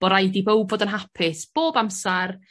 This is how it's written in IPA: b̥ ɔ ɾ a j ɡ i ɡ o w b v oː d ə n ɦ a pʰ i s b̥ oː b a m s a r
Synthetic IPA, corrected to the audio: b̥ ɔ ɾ a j d i b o w b v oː d ə n ɦ a pʰ ɪ s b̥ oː b a m s a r